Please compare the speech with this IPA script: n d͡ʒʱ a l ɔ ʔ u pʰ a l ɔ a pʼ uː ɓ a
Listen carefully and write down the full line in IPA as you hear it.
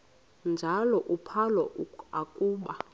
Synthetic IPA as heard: n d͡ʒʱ a l ɔ ʔ u pʰ a l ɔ a kʼ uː ɓ a